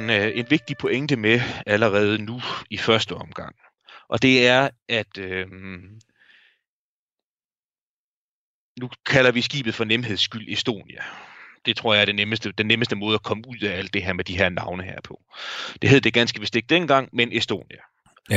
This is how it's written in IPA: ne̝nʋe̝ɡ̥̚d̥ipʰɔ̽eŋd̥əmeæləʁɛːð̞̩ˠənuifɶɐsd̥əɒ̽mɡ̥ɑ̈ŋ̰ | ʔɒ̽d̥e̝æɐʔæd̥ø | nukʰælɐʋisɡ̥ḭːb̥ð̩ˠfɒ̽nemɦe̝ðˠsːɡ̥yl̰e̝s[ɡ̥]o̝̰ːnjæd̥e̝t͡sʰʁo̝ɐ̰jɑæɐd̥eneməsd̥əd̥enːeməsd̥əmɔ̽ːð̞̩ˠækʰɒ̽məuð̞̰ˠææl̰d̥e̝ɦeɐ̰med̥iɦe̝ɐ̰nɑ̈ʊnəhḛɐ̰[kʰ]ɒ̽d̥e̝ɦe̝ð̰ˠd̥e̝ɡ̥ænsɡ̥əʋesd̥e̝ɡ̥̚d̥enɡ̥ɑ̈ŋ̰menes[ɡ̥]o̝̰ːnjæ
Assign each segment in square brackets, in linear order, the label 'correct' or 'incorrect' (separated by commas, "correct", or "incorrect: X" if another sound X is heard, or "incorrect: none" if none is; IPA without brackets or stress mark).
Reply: incorrect: d̥, incorrect: pʰ, incorrect: d̥